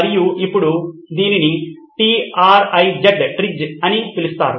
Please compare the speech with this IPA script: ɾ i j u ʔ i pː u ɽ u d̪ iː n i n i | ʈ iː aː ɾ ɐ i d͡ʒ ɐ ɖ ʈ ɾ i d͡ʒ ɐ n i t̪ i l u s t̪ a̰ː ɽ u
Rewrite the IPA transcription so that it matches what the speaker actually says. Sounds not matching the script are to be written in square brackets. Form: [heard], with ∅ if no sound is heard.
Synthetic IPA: ɾ i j u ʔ i pː u ɽ u d̪ iː n i n i | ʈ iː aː ɾ ɐ [j] d͡ʒ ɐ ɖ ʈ ɾ i d͡ʒ ɐ n i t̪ i l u s t̪ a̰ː [ɾ] u

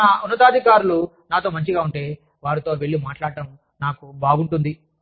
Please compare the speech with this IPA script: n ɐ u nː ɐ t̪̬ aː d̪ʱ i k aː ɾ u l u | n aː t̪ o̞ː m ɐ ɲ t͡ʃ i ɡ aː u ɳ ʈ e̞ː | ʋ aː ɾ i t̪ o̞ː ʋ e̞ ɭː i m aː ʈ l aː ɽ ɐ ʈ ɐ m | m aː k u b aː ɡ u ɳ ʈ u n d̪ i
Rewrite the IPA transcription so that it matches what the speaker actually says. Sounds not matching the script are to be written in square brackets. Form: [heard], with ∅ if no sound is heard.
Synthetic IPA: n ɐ u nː ɐ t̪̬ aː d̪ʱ i k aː ɾ u l u | n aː t̪ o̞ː m ɐ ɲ t͡ʃ i ɡ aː u ɳ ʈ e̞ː | ʋ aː ɾ i t̪ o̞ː ʋ e̞ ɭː i m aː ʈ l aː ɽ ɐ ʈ ɐ m | [n] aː k u b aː ɡ u ɳ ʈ u n d̪ i

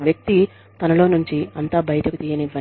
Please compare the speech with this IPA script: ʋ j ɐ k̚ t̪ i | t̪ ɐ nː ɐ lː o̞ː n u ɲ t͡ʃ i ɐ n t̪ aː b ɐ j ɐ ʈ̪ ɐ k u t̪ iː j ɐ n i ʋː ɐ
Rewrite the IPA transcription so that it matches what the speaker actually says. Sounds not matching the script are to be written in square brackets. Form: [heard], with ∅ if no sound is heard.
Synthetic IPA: ʋ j ɐ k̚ t̪ i | t̪ ɐ [n] ɐ [l] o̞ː n u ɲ t͡ʃ i ɐ n t̪ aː b ɐ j ɐ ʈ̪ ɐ k u t̪ iː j ɐ n i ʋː ɐ

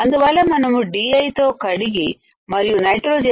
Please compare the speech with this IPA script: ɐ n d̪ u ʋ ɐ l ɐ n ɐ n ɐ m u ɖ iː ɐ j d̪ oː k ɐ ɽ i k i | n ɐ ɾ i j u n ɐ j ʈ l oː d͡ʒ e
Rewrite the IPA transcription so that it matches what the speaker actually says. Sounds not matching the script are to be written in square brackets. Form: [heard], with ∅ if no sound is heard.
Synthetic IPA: ɐ n d̪ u ʋ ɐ l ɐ [m] ɐ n ɐ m u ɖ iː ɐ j [t̪] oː k ɐ ɽ i [ɡ] i | [m] ɐ ɾ i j u n ɐ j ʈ [ɾ] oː d͡ʒ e

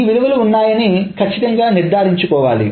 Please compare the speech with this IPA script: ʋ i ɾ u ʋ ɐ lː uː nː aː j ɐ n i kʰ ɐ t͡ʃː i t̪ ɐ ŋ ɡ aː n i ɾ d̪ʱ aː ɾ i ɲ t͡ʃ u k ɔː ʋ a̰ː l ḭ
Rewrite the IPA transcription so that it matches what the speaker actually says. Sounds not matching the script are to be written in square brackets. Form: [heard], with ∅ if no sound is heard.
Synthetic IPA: ʋ i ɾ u ʋ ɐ [l] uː nː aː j ɐ n i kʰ ɐ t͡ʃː i t̪ ɐ ŋ ɡ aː n i ɾ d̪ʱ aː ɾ i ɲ t͡ʃ u k ɔː ʋ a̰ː l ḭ

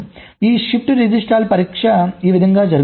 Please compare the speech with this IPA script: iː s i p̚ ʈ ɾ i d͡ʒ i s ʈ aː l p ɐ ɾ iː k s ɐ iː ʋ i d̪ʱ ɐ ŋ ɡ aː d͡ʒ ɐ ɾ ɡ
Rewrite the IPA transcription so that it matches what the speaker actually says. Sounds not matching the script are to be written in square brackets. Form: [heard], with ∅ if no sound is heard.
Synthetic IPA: iː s i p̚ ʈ ɾ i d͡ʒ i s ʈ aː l p ɐ ɾ iː k [ʂ] ɐ iː ʋ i d̪ʱ ɐ ŋ ɡ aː d͡ʒ ɐ ɾ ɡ

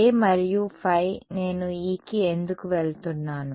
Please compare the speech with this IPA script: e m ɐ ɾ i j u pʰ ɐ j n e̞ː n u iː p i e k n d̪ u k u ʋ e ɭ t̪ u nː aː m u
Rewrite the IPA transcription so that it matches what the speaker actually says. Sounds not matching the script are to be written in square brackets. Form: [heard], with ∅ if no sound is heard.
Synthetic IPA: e m ɐ ɾ i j u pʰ ɐ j n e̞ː n u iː [k] i e [∅] n d̪ u k u ʋ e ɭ t̪ u nː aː [n] u

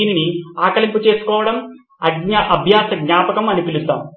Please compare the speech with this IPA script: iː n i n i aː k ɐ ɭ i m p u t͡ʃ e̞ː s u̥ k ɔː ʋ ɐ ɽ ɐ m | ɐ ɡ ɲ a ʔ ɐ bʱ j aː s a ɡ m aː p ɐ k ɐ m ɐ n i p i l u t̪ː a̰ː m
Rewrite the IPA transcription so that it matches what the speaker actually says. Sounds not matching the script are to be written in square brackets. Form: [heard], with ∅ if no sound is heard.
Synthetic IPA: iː n i n i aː k ɐ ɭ i m p u t͡ʃ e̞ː s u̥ k ɔː ʋ ɐ ɽ ɐ m | ɐ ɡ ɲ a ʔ ɐ bʱ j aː s [ɐ] ɡ [ɲ] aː p ɐ k ɐ m ɐ n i p i l u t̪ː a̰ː m

